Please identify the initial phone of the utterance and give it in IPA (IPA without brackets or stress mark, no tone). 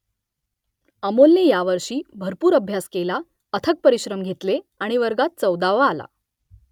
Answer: ə